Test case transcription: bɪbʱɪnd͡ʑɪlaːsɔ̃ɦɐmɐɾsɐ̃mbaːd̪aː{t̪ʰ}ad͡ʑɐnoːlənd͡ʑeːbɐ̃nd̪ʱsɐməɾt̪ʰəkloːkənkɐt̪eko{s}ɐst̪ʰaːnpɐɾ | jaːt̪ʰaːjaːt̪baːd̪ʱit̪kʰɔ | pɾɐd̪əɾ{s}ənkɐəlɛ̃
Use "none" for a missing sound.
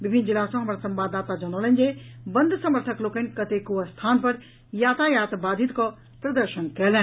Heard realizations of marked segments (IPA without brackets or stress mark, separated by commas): t̪, none, ʃ